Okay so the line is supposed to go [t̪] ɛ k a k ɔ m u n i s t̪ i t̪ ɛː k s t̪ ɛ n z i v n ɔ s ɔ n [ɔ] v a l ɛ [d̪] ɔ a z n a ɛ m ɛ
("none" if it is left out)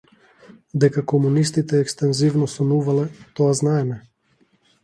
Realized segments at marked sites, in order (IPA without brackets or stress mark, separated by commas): d̪, u, t̪